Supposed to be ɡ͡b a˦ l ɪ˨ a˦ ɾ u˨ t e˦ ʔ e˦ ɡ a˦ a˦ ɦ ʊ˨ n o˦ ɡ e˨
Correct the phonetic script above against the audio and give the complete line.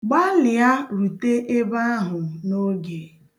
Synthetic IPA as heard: ɡ͡b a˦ l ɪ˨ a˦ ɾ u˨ t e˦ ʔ e˦ b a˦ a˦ ɦ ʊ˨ n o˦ ɡ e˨